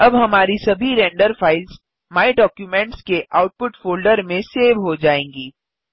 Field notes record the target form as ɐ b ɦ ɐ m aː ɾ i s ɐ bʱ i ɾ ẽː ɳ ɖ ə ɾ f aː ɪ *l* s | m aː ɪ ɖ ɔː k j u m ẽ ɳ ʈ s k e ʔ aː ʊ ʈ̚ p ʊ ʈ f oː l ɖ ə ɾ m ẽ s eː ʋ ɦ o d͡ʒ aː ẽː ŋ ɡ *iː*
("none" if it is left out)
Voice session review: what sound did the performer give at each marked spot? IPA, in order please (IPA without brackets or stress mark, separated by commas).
l, iː